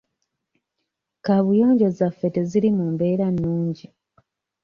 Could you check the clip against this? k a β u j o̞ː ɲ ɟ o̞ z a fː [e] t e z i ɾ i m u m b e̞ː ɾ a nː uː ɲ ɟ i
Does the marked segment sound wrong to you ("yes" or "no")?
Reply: no